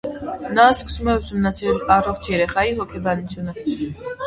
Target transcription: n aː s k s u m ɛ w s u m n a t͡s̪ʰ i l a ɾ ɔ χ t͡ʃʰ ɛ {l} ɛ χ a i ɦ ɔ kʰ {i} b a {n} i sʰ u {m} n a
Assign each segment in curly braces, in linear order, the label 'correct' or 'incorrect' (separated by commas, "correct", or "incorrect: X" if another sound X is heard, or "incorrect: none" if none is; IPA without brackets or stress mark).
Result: incorrect: ɾ, incorrect: ɛ, correct, incorrect: none